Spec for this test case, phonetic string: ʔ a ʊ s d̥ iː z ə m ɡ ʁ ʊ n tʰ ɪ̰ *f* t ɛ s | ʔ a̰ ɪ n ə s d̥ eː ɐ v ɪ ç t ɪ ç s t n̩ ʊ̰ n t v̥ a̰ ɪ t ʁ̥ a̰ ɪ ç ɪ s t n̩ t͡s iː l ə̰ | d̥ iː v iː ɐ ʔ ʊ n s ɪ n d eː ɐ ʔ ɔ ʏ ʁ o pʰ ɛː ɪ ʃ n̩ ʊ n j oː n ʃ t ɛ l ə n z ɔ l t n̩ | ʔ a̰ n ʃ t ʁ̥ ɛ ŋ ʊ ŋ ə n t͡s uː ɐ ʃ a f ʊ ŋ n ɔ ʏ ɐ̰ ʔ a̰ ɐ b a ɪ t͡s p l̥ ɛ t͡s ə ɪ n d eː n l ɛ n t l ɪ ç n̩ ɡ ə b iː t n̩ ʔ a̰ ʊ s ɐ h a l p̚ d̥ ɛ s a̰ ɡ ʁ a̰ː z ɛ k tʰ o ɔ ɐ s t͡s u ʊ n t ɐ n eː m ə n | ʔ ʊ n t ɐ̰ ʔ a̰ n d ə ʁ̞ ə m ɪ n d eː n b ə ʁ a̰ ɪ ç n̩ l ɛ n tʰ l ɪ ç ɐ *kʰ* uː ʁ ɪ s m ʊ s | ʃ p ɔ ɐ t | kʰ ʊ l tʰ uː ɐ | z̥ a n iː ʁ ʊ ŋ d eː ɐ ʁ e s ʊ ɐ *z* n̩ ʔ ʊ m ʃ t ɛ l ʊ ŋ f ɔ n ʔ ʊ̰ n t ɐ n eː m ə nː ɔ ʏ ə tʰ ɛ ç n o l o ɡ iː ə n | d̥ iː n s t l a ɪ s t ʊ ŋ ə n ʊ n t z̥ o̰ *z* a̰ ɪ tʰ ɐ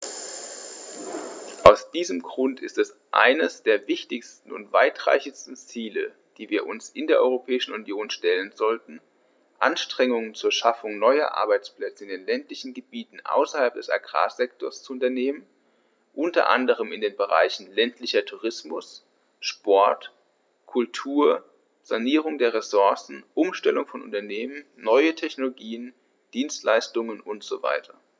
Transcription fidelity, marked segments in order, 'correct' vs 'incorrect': incorrect, incorrect, incorrect, incorrect

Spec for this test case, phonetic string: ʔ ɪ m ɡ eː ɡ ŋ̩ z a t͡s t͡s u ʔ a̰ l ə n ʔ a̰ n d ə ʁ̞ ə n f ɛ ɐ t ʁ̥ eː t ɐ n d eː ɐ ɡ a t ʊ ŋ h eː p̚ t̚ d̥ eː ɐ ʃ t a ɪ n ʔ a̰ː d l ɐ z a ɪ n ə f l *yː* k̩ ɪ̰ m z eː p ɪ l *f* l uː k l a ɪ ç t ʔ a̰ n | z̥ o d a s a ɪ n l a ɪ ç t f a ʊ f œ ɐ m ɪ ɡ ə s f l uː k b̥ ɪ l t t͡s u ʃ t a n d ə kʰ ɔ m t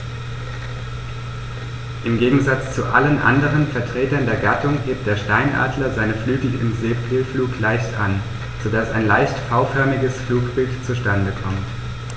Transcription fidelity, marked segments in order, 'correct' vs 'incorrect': correct, correct

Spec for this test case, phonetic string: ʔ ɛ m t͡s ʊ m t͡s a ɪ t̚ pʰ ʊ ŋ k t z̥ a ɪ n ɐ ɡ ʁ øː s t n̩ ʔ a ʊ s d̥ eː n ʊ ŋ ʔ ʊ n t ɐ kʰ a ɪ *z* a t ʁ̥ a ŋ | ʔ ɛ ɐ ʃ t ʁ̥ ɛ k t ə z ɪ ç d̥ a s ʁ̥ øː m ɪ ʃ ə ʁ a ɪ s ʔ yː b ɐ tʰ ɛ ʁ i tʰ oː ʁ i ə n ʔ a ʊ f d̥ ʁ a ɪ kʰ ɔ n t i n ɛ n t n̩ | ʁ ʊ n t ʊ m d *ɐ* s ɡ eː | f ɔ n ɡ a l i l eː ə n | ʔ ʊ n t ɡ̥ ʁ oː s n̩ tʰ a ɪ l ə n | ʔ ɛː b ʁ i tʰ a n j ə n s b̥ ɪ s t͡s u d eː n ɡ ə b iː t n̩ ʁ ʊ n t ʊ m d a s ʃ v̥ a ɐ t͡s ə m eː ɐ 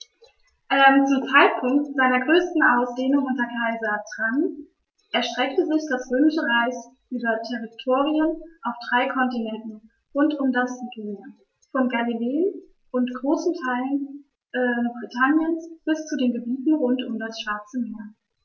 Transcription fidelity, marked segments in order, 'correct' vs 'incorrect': correct, incorrect

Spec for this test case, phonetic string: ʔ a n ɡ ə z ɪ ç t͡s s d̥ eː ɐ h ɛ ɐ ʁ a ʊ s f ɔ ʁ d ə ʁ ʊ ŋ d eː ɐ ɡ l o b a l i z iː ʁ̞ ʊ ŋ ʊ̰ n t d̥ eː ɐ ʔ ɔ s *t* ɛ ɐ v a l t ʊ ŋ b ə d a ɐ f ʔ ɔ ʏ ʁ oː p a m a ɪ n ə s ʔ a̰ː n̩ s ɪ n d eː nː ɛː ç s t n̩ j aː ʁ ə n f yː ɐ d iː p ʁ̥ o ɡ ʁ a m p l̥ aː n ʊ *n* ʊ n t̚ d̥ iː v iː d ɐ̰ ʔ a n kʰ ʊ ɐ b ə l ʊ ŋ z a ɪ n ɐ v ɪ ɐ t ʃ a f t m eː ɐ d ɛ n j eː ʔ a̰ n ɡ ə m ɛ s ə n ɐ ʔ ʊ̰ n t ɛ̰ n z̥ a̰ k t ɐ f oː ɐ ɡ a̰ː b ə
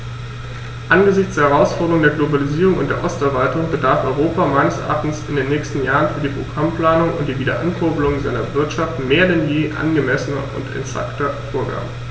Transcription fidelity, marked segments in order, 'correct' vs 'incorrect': correct, incorrect

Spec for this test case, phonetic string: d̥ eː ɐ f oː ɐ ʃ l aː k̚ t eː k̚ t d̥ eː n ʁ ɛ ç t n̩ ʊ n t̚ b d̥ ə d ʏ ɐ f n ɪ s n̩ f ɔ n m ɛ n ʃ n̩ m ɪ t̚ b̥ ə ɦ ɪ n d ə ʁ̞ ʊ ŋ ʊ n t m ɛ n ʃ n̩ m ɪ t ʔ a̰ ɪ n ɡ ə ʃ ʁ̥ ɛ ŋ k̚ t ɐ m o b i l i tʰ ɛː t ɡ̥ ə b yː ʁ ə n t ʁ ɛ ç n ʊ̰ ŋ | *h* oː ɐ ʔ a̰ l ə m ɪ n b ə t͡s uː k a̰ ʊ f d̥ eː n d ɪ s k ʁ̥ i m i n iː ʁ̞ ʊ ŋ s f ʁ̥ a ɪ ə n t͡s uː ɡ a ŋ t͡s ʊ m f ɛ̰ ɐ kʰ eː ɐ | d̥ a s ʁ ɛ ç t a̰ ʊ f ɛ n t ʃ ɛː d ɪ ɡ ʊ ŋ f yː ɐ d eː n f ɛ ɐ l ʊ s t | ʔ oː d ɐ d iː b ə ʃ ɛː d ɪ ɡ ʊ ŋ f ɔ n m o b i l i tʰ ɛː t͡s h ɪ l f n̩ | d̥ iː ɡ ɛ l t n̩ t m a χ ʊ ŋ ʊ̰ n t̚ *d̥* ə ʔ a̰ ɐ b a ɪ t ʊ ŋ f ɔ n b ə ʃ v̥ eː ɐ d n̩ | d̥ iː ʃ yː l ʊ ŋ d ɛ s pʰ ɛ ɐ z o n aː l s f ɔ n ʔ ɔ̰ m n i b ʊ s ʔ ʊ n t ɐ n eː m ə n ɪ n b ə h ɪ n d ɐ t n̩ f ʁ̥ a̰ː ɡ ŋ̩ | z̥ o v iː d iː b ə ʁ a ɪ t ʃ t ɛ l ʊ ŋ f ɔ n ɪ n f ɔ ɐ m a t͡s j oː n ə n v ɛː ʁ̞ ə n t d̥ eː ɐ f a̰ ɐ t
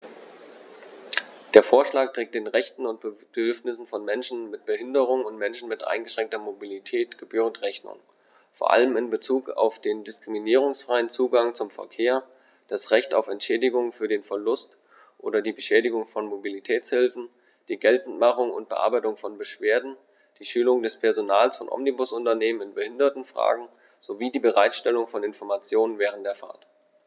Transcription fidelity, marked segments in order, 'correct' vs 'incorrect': incorrect, incorrect

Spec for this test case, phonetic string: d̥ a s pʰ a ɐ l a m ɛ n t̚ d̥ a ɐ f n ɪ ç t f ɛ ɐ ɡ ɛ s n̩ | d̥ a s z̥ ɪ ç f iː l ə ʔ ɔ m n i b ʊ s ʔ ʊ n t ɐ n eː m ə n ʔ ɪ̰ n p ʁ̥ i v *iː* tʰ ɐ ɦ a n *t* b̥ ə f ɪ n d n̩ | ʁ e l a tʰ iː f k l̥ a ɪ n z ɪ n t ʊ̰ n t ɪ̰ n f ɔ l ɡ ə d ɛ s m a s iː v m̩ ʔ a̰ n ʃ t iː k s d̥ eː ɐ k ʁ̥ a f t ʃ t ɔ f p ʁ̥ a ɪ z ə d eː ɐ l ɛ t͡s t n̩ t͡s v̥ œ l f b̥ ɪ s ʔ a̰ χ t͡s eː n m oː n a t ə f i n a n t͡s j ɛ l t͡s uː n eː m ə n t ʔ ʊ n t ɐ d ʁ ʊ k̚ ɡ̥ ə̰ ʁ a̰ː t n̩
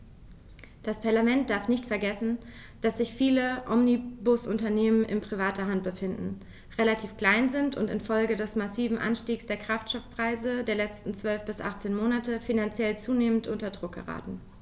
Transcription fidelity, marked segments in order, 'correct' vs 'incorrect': incorrect, correct

